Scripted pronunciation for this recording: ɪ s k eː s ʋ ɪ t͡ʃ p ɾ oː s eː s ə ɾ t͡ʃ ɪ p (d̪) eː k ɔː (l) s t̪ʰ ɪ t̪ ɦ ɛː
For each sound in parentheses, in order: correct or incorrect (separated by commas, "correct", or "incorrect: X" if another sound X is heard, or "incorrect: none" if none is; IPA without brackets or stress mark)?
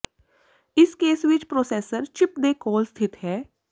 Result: correct, correct